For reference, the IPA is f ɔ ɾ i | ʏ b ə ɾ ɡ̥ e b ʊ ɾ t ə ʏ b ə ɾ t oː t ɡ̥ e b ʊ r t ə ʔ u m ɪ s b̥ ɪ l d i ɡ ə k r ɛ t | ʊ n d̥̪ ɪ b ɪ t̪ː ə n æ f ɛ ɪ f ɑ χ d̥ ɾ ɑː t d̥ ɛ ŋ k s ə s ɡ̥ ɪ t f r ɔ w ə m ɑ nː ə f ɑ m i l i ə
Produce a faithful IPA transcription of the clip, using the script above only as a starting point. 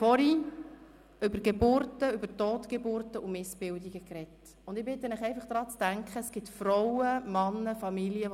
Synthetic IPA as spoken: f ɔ ɾ i | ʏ b ə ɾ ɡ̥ e b ʊ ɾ t ə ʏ b ə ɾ t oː t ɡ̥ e b ʊ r t ə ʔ u m ɪ s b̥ ɪ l d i ɡ ə k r ɛ t | ʊ n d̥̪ ɪ b ɪ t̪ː ə n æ χ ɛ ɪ f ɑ χ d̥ ɾ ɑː t͡s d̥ æ ŋ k χ ə s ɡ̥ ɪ t f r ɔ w ə m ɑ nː ə f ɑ m i l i ə